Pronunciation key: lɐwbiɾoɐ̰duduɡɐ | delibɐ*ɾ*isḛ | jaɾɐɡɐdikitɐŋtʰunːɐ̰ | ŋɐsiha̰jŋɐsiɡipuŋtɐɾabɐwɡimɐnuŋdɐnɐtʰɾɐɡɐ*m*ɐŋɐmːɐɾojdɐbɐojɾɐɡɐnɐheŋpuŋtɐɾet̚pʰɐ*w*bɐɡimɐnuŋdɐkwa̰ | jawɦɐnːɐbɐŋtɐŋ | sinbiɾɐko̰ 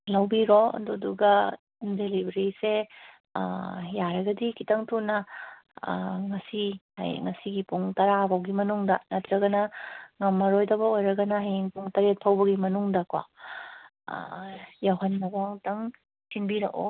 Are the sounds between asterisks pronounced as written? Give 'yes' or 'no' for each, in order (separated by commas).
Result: yes, no, yes